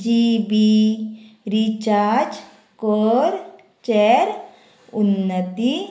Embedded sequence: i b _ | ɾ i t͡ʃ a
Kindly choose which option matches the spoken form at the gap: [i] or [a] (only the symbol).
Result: i